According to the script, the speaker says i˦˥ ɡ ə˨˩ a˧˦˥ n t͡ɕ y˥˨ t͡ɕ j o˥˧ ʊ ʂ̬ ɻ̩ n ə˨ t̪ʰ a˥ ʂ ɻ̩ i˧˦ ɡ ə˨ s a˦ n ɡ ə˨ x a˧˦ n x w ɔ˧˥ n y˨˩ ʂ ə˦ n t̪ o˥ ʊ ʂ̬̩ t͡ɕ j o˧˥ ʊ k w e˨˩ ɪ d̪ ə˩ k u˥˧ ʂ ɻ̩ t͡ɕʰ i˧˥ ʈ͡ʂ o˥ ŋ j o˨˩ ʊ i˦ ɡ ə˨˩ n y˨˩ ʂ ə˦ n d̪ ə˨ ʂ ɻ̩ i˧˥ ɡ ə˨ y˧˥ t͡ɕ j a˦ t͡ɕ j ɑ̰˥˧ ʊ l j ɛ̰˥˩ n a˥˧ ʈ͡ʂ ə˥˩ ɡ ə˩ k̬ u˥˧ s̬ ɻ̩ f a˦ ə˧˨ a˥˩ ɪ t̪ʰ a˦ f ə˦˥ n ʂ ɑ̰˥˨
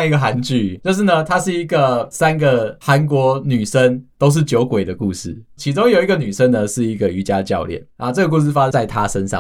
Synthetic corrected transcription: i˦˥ ɡ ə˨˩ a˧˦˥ n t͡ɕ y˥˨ t͡ɕ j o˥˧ ʊ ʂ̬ ɻ̩ n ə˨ t̪ʰ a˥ ʂ ɻ̩ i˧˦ ɡ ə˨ s a˦ n ɡ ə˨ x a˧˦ n k w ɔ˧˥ n y˨˩ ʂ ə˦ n t̪ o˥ ʊ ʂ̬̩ t͡ɕ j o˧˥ ʊ k w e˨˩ ɪ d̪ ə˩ k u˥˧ ʂ ɻ̩ t͡ɕʰ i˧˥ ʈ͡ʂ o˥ ŋ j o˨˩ ʊ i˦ ɡ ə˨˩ n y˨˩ ʂ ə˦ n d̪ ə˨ ʂ ɻ̩ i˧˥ ɡ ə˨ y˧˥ t͡ɕ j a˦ t͡ɕ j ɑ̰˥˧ ʊ l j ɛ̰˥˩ n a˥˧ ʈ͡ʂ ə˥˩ ɡ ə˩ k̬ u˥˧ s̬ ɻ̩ f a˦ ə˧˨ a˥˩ ɪ t̪ʰ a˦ ʂ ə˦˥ n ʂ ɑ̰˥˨